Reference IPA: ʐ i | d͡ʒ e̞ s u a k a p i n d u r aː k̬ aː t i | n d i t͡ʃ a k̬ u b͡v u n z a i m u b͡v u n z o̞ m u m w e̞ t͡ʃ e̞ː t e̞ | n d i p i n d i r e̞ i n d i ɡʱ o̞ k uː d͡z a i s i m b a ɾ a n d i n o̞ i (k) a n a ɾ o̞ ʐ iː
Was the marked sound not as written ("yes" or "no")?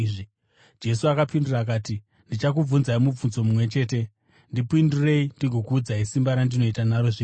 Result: yes